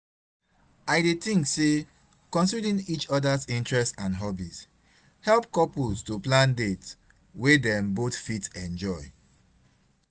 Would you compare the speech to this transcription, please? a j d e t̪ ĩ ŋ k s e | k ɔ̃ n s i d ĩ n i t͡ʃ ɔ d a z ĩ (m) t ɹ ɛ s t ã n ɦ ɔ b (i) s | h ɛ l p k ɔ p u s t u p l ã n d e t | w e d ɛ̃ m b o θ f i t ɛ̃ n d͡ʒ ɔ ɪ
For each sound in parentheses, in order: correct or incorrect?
incorrect, correct

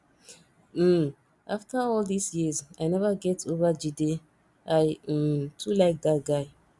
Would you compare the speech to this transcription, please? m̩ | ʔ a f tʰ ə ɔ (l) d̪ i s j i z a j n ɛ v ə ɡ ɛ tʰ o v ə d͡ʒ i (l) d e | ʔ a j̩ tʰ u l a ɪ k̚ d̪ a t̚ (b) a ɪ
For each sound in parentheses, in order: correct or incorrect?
correct, incorrect, incorrect

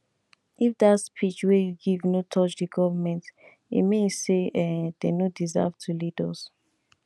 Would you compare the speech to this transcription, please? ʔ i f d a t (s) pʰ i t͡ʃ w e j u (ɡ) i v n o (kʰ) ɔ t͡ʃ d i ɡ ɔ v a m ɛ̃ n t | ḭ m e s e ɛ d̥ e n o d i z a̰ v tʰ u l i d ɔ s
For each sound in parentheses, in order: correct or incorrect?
correct, correct, incorrect

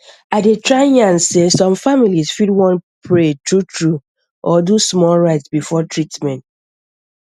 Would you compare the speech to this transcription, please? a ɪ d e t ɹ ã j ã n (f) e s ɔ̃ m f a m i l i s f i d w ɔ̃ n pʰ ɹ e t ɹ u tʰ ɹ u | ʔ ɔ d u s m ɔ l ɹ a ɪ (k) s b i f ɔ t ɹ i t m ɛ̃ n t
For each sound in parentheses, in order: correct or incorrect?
incorrect, incorrect

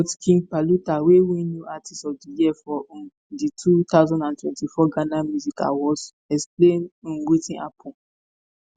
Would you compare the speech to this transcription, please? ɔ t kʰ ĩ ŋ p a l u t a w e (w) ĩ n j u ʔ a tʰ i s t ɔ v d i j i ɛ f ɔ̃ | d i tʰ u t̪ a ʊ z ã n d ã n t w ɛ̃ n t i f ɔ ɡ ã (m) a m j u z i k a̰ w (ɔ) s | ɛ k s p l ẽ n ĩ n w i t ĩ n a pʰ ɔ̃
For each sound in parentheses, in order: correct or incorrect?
correct, incorrect, correct

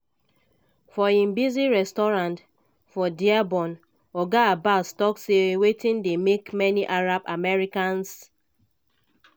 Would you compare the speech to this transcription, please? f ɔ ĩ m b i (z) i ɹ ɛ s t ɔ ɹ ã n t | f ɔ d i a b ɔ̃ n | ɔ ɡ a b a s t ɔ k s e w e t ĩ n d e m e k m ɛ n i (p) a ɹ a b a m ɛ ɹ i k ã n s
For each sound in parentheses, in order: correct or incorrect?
correct, incorrect

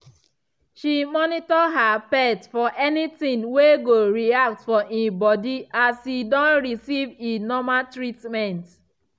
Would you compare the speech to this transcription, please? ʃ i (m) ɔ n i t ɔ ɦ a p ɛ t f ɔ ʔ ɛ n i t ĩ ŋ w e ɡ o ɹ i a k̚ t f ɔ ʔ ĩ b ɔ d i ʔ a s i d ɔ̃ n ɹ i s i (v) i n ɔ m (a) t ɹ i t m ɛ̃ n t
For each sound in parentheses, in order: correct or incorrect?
correct, correct, correct

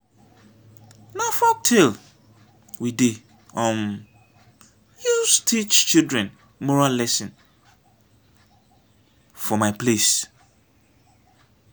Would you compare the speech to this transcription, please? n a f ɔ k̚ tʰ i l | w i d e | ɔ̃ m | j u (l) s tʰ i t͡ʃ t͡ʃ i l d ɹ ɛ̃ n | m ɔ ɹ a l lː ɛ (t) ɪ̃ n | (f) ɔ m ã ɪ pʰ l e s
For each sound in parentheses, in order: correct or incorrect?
incorrect, incorrect, correct

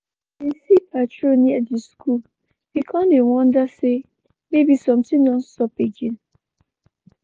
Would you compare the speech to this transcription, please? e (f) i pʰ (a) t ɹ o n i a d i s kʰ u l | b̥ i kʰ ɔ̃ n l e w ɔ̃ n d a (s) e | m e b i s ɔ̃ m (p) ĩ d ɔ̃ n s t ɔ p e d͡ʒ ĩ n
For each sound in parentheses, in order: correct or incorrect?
incorrect, correct, correct, incorrect

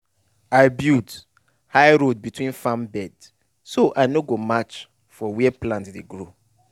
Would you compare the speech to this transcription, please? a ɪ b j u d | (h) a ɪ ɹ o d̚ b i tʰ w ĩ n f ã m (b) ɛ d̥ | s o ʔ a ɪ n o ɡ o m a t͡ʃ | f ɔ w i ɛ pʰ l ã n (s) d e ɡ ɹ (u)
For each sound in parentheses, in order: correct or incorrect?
correct, correct, incorrect, incorrect

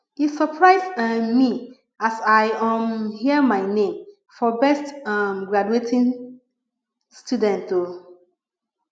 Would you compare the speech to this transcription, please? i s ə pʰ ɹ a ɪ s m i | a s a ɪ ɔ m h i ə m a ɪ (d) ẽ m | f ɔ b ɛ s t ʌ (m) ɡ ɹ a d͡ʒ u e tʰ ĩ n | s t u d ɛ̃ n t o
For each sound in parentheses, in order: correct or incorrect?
incorrect, correct

